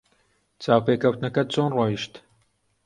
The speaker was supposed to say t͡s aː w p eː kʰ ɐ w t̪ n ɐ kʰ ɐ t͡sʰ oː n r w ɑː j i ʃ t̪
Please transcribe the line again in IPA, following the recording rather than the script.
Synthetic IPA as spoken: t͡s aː w p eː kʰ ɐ w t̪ n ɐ k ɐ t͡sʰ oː n r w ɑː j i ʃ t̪